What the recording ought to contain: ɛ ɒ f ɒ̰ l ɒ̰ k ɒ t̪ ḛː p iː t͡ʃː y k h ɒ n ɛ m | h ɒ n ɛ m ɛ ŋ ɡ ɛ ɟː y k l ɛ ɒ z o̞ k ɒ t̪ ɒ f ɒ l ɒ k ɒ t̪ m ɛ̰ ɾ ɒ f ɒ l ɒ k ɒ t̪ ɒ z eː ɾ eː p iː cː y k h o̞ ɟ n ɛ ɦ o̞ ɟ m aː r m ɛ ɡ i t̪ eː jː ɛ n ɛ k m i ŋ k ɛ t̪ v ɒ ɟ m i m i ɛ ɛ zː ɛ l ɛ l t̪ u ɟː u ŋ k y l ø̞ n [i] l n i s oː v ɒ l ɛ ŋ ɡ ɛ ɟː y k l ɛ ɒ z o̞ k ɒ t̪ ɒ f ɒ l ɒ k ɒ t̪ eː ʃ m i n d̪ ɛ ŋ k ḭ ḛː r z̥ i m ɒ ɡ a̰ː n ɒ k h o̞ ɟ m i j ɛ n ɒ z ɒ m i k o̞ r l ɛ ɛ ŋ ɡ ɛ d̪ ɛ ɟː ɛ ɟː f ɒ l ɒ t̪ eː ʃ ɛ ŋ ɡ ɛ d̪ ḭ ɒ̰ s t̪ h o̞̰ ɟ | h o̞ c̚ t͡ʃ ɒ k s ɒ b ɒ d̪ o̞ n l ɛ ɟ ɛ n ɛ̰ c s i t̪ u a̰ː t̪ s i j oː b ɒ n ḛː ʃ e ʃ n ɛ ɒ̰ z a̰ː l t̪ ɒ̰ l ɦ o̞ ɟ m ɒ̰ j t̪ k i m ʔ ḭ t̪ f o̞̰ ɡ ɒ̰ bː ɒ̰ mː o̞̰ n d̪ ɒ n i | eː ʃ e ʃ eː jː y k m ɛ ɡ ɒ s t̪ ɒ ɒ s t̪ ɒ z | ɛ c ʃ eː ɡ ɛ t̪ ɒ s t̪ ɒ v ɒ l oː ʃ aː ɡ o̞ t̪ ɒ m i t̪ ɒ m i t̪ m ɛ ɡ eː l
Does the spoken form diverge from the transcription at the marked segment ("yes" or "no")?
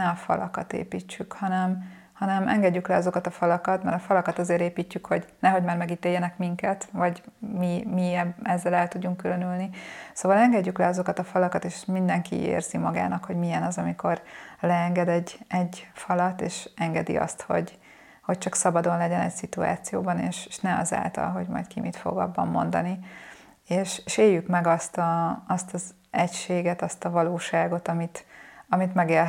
yes